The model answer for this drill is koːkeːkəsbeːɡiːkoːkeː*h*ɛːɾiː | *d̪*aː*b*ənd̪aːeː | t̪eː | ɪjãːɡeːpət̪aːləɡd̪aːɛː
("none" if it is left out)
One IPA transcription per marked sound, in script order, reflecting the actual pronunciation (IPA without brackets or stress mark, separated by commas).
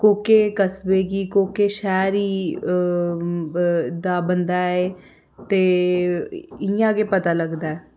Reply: ʃ, d̪, b